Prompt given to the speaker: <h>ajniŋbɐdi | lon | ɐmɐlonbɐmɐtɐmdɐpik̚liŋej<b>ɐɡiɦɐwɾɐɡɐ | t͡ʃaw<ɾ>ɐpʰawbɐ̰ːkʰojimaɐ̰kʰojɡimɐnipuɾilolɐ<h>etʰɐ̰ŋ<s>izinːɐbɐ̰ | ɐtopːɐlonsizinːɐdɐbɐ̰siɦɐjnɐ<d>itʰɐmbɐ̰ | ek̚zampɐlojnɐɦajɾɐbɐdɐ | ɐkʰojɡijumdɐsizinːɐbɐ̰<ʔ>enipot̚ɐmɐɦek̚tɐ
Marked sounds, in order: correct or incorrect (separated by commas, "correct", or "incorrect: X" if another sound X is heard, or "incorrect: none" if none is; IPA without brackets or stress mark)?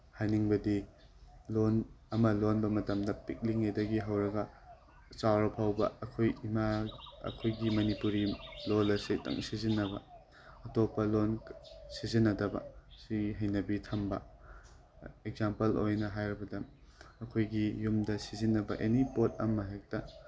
correct, incorrect: d, correct, incorrect: s, correct, incorrect: b, correct